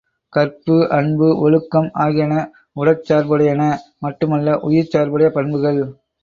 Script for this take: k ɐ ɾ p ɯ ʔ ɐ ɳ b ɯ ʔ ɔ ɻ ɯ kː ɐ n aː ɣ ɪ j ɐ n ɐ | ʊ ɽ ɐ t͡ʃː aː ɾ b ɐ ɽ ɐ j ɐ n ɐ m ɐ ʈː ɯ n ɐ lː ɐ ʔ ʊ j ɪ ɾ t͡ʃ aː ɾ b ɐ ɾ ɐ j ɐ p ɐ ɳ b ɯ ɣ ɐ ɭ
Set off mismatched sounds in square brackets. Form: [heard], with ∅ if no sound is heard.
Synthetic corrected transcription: k ɐ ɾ p ɯ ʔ ɐ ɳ b ɯ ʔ ɔ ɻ ɯ kː ɐ [m] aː ɣ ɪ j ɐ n ɐ | ʊ ɽ ɐ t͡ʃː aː ɾ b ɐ ɽ ɐ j ɐ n ɐ m ɐ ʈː ɯ [m] ɐ lː ɐ ʔ ʊ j ɪ ɾ t͡ʃ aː ɾ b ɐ [ɽ] ɐ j ɐ p ɐ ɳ b ɯ ɣ ɐ ɭ